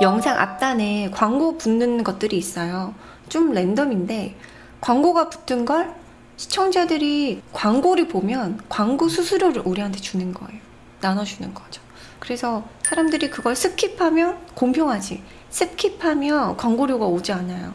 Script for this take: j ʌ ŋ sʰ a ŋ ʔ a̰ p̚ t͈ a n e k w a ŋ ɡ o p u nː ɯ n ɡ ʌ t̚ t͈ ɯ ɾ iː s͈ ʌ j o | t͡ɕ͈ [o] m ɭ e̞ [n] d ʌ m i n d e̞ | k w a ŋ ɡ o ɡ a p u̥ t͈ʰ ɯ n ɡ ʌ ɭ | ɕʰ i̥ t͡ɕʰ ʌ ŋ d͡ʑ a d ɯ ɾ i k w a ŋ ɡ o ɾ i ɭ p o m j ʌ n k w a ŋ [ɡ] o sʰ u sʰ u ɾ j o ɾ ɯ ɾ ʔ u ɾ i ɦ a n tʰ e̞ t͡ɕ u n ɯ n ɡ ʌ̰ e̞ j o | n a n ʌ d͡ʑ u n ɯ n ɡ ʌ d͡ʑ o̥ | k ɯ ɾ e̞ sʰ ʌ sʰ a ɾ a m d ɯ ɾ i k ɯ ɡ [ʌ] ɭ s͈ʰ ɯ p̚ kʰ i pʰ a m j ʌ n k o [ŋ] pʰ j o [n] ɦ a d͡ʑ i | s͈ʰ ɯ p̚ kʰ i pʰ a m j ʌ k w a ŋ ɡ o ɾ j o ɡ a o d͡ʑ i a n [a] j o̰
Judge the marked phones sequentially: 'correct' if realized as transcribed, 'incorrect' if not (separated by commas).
correct, correct, correct, correct, incorrect, incorrect, correct